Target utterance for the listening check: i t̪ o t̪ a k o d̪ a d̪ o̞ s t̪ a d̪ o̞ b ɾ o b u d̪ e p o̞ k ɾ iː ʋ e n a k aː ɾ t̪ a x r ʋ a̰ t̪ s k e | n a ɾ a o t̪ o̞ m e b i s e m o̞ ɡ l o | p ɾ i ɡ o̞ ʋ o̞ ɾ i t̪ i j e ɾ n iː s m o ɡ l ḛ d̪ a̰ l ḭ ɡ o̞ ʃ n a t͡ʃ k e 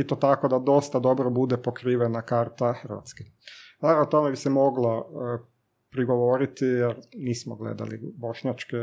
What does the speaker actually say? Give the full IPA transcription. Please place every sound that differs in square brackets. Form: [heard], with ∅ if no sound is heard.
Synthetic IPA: i t̪ o t̪ a k o d̪ a d̪ o̞ s t̪ a d̪ o̞ b ɾ o b u d̪ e p o̞ k ɾ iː ʋ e n a k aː ɾ t̪ a x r ʋ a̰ t̪ s k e | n a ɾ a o t̪ o̞ m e b i s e m o̞ ɡ l o | p ɾ i ɡ o̞ ʋ o̞ ɾ i t̪ i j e ɾ n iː s m o ɡ l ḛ d̪ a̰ l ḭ [b] o̞ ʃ [ɲ] a t͡ʃ k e